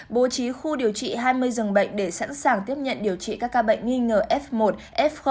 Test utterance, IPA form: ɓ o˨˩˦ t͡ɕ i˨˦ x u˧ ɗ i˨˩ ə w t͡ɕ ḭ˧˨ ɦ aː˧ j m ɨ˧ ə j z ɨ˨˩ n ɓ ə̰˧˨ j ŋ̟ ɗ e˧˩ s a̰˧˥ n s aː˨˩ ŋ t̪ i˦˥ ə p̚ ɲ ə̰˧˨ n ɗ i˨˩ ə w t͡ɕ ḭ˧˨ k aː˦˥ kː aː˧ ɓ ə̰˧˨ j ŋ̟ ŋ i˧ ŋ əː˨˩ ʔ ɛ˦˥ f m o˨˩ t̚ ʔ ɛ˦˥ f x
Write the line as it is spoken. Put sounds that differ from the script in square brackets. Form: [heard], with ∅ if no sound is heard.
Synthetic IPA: ɓ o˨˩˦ t͡ɕ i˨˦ x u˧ ɗ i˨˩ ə w t͡ɕ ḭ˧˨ ɦ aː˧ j m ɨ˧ ə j z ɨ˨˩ [ŋ] ɓ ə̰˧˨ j ŋ̟ ɗ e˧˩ s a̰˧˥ n s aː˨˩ ŋ t̪ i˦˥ ə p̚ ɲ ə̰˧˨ n ɗ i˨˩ ə w t͡ɕ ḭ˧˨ k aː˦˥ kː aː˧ ɓ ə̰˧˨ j ŋ̟ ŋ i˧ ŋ əː˨˩ ʔ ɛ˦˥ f m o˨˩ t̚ ʔ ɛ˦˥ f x